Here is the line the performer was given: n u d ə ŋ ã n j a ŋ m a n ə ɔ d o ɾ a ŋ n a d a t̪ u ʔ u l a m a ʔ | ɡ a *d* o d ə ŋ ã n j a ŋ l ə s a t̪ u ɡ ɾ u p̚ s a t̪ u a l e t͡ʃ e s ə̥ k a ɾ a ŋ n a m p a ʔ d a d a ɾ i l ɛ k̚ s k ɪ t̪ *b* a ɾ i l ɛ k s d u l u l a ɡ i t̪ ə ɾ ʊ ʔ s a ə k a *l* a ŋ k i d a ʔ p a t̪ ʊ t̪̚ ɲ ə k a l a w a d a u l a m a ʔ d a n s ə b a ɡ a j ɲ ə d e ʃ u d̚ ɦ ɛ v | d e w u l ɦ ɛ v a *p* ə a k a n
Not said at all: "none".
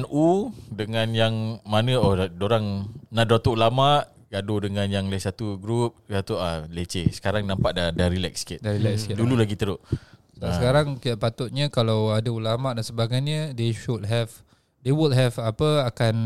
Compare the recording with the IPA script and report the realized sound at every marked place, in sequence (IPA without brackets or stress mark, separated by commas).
d, d, ɾ, p